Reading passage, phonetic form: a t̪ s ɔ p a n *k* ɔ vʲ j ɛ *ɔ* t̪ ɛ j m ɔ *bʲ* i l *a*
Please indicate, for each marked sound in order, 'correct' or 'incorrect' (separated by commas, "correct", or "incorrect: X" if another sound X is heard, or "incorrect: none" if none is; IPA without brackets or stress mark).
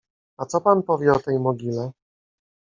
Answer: incorrect: p, correct, incorrect: ɡʲ, incorrect: ɛ